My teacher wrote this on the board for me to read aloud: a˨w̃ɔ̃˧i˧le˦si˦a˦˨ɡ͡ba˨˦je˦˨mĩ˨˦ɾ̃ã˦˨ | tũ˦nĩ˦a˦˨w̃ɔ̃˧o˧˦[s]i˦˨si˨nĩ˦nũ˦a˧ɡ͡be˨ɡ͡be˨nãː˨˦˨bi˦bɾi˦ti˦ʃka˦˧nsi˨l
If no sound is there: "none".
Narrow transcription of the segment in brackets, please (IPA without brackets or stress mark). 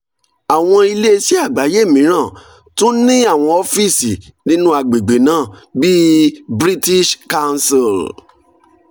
f